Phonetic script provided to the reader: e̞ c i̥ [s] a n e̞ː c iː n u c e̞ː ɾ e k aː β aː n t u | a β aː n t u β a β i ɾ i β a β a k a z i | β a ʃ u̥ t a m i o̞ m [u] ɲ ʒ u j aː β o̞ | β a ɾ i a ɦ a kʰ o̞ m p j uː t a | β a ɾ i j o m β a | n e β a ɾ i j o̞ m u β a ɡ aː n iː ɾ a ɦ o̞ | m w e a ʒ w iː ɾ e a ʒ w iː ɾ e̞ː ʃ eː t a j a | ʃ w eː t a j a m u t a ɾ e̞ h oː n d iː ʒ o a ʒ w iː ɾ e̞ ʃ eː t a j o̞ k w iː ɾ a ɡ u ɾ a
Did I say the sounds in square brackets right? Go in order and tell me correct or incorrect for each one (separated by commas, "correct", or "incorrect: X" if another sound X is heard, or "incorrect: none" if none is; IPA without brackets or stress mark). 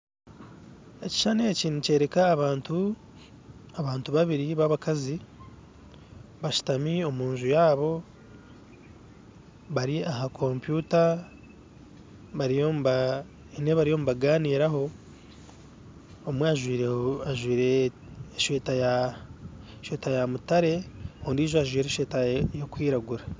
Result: incorrect: ʃ, incorrect: uː